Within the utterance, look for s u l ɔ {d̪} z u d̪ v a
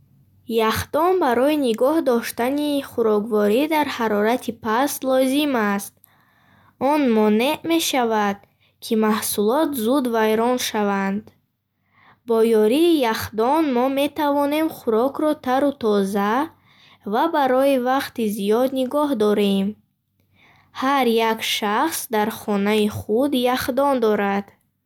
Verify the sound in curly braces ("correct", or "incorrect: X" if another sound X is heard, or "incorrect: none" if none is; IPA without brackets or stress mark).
incorrect: t̪